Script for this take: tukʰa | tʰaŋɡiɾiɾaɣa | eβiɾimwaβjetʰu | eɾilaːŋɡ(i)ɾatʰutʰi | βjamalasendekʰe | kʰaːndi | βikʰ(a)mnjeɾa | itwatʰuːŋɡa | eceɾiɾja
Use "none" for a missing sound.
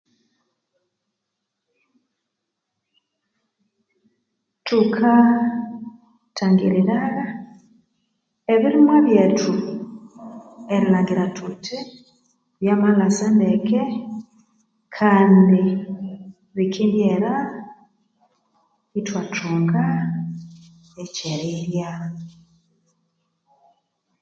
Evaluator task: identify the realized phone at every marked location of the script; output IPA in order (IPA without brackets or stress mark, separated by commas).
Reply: i, i